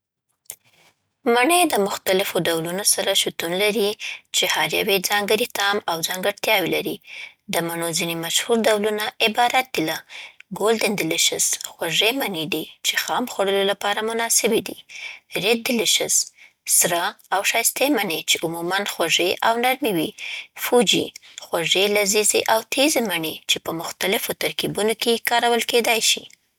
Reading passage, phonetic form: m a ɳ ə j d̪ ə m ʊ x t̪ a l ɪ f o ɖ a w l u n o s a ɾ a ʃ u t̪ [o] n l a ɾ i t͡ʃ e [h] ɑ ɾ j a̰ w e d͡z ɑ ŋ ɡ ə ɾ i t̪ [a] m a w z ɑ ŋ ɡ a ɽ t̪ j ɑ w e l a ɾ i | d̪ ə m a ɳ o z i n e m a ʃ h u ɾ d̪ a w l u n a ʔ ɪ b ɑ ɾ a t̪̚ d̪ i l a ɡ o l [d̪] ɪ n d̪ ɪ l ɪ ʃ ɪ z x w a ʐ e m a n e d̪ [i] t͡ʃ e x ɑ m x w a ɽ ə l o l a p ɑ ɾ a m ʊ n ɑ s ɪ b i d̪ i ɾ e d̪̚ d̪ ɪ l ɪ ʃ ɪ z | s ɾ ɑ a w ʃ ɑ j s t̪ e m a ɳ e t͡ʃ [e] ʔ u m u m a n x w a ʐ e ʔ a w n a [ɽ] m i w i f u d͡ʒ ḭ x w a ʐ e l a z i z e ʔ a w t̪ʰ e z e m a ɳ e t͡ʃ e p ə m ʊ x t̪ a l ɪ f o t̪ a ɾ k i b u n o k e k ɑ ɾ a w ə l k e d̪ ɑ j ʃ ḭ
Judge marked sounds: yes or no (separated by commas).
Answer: no, yes, no, yes, yes, yes, no